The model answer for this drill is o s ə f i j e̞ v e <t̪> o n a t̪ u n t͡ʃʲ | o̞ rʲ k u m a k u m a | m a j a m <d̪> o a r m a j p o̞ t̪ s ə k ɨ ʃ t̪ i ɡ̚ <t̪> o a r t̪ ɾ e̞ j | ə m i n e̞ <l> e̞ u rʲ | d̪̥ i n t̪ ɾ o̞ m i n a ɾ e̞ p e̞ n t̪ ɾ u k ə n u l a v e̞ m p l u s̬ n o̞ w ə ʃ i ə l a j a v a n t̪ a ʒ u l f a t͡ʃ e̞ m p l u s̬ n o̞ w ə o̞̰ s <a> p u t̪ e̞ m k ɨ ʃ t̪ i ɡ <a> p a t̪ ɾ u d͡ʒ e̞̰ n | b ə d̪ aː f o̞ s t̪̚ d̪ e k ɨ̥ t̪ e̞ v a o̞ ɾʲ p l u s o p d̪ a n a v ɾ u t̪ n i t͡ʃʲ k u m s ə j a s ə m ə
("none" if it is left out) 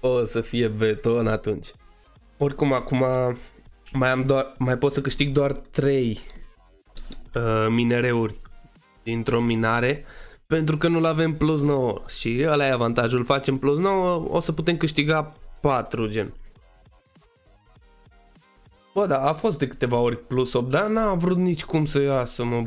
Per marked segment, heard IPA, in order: t̪, d̪, d̪, ɾ, ə, a

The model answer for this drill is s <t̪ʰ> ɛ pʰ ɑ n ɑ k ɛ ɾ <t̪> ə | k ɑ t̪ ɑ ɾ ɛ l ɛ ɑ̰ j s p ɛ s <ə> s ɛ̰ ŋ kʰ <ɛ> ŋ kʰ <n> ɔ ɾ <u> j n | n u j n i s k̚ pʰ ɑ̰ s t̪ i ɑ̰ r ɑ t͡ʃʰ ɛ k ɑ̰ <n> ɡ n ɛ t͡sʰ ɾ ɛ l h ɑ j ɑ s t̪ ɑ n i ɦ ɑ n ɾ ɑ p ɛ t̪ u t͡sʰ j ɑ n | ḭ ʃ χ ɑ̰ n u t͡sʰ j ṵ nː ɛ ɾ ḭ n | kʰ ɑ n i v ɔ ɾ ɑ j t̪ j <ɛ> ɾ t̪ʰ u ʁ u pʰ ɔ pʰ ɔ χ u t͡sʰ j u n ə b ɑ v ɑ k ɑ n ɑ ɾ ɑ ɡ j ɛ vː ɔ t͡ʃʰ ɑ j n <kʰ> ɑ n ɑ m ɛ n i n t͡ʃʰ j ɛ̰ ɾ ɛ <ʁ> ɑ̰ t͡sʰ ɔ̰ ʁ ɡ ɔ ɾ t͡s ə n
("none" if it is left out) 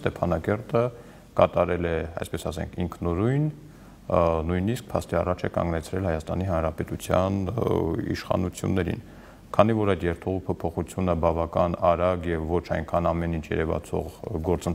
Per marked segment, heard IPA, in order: t̪, t̪, ɑ, i, n, u, ŋ, ɛ, kʰ, v

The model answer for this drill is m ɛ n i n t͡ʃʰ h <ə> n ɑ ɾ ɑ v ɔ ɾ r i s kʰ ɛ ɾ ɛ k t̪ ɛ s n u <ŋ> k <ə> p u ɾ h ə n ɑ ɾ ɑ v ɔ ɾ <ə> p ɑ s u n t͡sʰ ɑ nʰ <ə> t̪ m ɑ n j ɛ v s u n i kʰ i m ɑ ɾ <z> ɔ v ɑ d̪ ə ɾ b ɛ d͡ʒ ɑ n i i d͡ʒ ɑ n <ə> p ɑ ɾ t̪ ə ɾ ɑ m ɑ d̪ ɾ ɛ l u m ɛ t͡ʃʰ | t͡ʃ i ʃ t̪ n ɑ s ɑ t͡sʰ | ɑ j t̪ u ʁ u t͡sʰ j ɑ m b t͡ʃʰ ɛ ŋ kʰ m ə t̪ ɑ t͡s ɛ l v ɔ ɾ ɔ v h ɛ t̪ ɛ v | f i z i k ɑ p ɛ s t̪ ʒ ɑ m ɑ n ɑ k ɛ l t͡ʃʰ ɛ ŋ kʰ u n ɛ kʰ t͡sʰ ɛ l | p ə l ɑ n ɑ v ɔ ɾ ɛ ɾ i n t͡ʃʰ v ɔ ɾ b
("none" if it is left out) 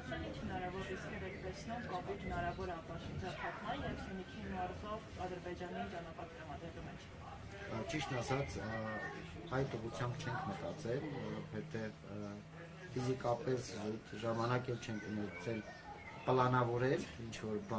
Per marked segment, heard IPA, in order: ə, m, ɑ, ɑ, ɑ, z, ɑ

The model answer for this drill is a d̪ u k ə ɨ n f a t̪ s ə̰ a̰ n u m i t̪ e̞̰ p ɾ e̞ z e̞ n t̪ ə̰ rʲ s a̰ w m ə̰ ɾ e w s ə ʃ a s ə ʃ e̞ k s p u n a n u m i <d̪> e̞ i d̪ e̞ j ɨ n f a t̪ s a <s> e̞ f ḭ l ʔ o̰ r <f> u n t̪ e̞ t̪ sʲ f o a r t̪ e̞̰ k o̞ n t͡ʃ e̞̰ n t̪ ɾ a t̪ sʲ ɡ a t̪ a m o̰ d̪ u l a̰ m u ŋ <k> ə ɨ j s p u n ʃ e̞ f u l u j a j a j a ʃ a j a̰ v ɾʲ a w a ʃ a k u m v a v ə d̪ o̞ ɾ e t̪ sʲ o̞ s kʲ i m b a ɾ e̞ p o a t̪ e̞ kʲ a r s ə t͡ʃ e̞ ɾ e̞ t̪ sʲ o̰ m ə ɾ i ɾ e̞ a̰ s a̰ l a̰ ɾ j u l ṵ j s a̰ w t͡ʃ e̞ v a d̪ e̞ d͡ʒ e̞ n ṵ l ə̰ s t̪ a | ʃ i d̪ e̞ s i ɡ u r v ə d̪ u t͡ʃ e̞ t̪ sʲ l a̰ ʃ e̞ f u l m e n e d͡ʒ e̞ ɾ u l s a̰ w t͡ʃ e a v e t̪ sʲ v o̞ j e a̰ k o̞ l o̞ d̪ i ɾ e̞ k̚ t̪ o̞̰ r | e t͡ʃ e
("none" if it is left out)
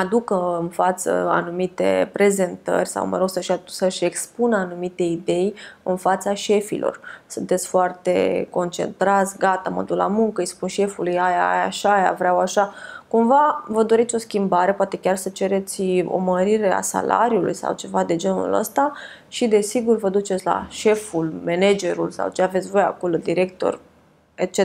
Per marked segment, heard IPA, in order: t̪, ʃ, s, k

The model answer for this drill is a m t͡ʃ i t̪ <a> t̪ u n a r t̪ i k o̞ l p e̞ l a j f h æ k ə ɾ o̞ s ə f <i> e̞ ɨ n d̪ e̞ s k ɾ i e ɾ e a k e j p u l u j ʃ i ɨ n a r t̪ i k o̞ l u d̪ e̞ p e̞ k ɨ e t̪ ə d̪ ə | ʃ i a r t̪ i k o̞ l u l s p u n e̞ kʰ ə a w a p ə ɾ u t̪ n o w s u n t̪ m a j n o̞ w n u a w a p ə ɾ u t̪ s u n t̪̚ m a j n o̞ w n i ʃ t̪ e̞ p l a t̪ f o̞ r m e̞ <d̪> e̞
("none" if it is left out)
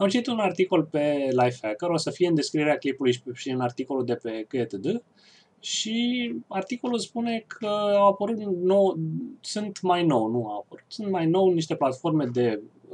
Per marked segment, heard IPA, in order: i, i, d̪

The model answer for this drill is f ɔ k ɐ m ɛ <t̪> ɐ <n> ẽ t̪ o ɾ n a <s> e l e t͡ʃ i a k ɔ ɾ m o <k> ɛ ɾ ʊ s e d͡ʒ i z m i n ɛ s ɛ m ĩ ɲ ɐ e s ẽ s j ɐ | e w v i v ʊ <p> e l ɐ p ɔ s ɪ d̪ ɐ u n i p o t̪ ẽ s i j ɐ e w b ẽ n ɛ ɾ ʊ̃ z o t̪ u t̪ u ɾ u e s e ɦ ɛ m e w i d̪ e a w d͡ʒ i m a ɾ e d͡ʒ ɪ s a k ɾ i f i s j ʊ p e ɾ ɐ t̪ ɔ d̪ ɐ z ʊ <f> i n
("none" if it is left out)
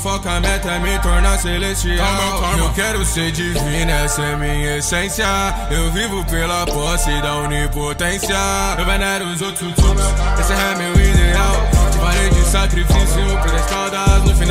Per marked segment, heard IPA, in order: t̪, m, s, k, p, f

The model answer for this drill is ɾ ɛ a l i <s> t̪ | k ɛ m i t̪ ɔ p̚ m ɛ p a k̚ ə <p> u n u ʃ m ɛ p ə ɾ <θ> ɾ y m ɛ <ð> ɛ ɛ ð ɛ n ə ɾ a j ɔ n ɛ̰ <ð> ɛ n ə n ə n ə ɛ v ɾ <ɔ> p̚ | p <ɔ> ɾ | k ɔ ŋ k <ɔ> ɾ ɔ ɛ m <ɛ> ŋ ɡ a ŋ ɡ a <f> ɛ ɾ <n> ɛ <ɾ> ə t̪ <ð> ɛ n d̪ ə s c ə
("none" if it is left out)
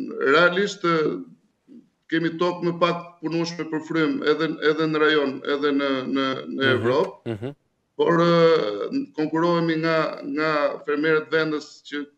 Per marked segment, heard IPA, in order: ʃ, p, f, ð, ð, ɔ, ɔ, u, i, f, m, ɾ, v

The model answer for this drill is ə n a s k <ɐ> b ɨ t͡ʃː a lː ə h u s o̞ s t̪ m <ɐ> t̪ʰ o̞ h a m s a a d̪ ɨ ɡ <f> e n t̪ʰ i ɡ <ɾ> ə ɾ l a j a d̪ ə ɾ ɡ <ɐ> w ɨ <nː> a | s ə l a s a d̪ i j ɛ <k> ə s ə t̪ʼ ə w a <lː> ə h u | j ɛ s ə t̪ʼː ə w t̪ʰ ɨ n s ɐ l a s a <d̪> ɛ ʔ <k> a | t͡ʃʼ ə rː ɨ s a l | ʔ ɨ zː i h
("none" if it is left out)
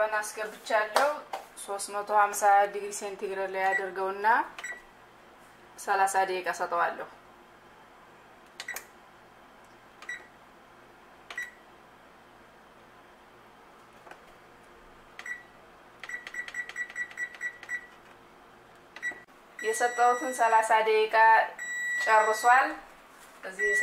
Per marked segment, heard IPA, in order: ə, ə, s, ɾ, ə, nː, kʼ, lː, d̪, kʼ

